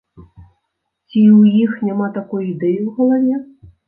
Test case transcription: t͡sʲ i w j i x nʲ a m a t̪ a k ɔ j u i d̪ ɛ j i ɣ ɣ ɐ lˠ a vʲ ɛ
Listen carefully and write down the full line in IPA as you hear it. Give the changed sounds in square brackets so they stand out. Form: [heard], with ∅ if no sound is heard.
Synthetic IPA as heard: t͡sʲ i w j i x nʲ a m a t̪ a k ɔ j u i d̪ ɛ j i [w] ɣ ɐ lˠ a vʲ ɛ

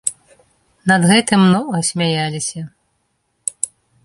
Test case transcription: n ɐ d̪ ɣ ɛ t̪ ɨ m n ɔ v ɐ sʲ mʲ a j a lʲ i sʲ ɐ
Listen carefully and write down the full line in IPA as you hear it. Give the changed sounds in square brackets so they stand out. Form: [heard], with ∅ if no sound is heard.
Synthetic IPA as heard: n ɐ d̪ ɣ ɛ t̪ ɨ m n ɔ [ɣ] ɐ sʲ mʲ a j a lʲ i sʲ ɐ

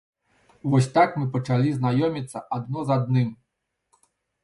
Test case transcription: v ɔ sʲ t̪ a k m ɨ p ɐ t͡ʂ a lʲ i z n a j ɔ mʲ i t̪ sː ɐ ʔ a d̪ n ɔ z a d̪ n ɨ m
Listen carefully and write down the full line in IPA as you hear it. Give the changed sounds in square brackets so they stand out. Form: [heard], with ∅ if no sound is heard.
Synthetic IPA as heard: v ɔ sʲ t̪ a k m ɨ p ɐ t͡ʂ a lʲ i z n a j ɔ mʲ i t̪ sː ɐ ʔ a d̪ n ɔ z a d̪ n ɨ m

